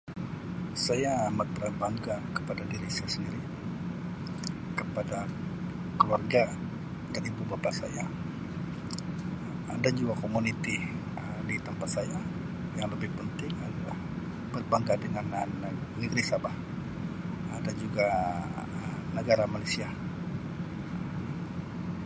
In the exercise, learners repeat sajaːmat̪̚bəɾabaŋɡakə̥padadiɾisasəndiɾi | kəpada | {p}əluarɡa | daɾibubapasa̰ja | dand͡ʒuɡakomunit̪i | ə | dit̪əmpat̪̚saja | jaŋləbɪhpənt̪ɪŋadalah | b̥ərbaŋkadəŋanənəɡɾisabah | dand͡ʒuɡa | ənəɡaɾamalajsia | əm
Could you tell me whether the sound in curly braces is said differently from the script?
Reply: yes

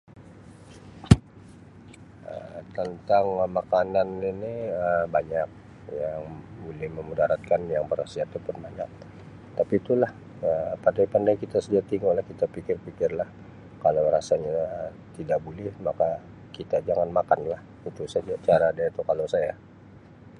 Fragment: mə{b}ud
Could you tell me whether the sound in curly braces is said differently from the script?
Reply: yes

